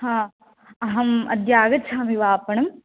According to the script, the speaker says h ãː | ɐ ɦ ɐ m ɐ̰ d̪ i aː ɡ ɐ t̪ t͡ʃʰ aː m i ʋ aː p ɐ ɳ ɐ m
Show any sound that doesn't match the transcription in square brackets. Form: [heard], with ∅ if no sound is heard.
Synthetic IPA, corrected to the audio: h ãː | ɐ ɦ ɐ m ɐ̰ d̪ [j] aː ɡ ɐ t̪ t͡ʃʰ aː m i ʋ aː p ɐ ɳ ɐ m